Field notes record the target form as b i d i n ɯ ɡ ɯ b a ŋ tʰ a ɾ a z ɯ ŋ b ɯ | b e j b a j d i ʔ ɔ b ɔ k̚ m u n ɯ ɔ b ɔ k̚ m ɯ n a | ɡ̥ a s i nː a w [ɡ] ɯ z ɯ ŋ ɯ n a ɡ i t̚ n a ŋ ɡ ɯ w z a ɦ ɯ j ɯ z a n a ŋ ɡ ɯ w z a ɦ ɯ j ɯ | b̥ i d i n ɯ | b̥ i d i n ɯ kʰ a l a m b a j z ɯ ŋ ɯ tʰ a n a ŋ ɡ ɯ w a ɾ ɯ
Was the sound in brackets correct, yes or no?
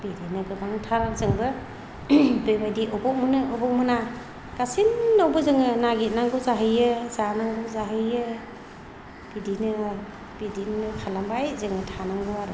no